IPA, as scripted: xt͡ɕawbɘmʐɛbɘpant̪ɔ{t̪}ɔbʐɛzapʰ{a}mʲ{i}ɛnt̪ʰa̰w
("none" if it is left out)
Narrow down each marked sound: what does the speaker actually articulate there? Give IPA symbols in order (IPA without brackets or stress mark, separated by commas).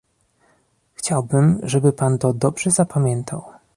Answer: d̪, a, j